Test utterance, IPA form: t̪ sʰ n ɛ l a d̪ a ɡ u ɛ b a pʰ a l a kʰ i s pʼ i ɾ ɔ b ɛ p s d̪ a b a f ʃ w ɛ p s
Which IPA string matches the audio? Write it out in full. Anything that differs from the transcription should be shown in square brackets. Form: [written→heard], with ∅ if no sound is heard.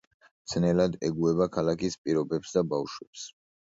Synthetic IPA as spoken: t̪ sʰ n ɛ l a d̪ [a→ɛ] ɡ u ɛ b a [pʰ→kʰ] a l a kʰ i s pʼ i ɾ ɔ b ɛ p s d̪ a b a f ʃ w ɛ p s